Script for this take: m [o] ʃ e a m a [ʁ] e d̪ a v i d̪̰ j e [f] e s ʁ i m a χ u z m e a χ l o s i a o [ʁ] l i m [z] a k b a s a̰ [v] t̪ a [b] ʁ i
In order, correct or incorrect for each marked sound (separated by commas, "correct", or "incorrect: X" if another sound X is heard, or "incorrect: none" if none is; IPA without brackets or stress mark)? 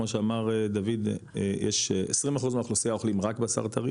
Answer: correct, correct, incorrect: ʃ, incorrect: χ, incorrect: ʁ, incorrect: ʁ, incorrect: none